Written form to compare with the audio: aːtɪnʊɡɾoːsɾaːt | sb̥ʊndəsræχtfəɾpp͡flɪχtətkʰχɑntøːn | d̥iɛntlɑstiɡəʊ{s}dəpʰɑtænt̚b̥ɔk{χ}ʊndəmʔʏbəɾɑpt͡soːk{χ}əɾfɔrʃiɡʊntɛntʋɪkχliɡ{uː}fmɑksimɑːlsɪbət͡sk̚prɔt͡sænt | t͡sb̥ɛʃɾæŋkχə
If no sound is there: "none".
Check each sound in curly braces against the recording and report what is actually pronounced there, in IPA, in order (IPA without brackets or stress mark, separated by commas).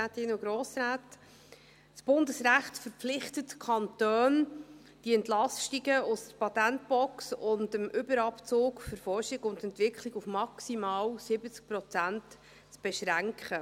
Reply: s, s, f, u